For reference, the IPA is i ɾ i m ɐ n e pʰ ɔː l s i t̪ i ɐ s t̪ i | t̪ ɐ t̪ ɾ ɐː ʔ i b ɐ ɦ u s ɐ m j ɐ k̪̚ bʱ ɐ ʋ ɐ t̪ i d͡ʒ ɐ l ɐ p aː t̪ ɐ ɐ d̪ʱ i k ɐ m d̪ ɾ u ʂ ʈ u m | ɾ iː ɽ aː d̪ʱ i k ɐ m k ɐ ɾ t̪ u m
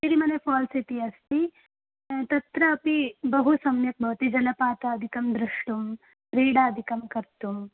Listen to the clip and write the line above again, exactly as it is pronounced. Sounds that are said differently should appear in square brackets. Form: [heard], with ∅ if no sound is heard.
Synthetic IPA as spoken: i ɾ i m ɐ n e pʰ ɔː l s i t̪ i ɐ s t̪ i | t̪ ɐ t̪ ɾ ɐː [p] i b ɐ ɦ u s ɐ m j ɐ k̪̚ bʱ ɐ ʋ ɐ t̪ i d͡ʒ ɐ l ɐ p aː t̪ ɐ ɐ d̪ʱ i k ɐ m d̪ ɾ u ʂ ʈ u m | ɾ iː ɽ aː d̪ʱ i k ɐ m k ɐ ɾ t̪ u m